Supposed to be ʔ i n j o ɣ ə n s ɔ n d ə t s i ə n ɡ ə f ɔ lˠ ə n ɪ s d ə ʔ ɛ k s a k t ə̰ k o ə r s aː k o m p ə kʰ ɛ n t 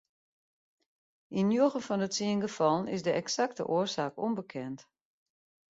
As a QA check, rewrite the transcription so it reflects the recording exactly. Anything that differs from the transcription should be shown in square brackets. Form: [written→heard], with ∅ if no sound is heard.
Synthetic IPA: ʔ i n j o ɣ ə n [s→f] ɔ n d ə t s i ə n ɡ ə f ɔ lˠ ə n ɪ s d ə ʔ ɛ k s a k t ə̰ [k→ʔ] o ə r s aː k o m [p→b] ə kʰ ɛ n t